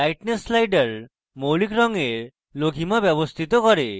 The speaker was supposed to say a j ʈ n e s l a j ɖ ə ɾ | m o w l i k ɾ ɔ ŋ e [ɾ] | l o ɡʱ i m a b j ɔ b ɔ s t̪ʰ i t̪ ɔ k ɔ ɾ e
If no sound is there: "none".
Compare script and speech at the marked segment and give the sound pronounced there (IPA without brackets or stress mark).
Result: ɾ